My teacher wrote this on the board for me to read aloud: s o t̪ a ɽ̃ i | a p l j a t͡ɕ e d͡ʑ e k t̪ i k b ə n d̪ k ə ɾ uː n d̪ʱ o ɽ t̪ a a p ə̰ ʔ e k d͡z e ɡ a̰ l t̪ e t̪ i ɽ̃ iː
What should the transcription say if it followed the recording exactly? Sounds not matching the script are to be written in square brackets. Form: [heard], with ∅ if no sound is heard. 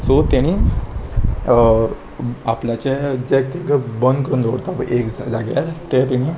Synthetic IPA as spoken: s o t̪ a ɽ̃ i | a p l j a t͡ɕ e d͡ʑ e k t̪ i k b ə n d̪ k ə ɾ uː n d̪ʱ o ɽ t̪ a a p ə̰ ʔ e k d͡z [a] ɡ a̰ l t̪ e t̪ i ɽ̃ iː